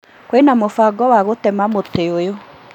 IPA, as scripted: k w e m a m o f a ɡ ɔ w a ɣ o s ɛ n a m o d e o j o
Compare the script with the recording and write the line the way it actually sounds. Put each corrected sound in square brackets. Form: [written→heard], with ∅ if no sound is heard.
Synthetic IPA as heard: k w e [m→n] a m o f a ɡ ɔ w a ɣ o [s→t] ɛ [n→m] a m o [d→t] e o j o